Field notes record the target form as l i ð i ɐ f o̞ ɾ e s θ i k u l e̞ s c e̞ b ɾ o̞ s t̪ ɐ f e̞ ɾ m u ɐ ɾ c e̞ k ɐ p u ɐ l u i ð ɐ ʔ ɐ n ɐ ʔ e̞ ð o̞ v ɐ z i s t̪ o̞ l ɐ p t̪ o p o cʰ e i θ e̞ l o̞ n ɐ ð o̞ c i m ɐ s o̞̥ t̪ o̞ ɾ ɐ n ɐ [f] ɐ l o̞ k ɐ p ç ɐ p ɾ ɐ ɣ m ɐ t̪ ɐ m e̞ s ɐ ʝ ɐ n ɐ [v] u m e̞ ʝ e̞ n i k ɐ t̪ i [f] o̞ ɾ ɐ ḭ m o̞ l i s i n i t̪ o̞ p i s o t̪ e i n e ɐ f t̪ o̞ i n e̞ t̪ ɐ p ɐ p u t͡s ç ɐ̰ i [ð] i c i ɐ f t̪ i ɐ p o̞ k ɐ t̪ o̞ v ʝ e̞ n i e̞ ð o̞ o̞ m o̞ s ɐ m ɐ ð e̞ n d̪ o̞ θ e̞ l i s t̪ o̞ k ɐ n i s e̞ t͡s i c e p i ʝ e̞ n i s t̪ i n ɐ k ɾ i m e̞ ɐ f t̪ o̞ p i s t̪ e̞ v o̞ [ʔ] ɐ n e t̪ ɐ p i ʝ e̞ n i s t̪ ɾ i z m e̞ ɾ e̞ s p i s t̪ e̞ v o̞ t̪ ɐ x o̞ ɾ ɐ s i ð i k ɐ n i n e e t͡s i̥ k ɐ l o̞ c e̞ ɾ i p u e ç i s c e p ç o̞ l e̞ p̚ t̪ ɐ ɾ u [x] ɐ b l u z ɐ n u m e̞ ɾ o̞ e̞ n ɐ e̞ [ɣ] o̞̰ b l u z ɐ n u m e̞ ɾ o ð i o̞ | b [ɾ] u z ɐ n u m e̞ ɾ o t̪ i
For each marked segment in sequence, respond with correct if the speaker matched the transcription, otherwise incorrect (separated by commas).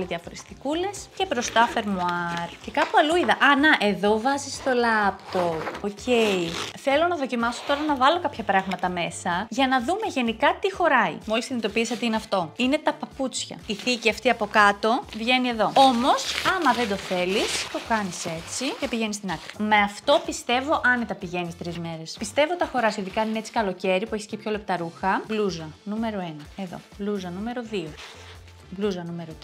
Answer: incorrect, incorrect, incorrect, incorrect, correct, correct, incorrect, incorrect